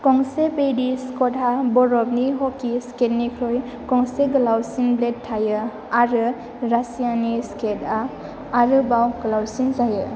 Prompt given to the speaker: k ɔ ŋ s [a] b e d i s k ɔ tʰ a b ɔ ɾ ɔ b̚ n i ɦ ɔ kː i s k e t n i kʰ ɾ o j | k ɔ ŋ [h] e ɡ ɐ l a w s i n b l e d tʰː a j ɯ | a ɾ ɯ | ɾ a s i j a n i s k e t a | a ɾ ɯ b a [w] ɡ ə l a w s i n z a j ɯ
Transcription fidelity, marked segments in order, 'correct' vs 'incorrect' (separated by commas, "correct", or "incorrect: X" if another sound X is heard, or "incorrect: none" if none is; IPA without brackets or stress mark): incorrect: e, incorrect: s, correct